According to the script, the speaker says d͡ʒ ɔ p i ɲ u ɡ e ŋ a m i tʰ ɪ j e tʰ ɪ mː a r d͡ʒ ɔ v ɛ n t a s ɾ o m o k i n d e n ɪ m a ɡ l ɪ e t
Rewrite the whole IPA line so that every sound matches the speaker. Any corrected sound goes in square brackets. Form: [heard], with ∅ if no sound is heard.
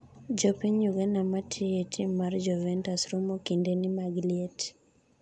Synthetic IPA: d͡ʒ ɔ p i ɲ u ɡ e [n] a m [a] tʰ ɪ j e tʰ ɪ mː a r d͡ʒ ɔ v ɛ n t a s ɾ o m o k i n d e n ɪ m a ɡ l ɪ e t